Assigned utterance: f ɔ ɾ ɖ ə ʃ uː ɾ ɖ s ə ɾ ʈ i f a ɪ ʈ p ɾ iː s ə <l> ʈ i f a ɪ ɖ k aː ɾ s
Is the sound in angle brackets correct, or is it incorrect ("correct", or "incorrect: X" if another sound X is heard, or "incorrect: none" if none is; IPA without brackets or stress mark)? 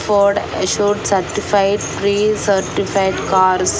incorrect: ɾ